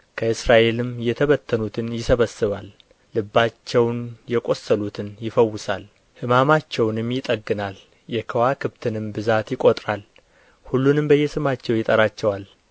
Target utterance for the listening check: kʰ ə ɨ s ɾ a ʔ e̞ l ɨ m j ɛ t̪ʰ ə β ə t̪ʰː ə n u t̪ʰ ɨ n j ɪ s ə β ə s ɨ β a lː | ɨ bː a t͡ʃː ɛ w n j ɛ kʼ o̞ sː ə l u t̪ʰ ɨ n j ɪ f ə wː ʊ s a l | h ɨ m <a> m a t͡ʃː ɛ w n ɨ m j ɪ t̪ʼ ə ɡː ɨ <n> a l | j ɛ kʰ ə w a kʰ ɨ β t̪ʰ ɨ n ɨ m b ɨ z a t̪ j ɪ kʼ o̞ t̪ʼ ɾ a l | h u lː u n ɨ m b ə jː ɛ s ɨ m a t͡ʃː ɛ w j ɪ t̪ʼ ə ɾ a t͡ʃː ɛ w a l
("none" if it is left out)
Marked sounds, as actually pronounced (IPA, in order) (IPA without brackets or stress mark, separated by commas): a, n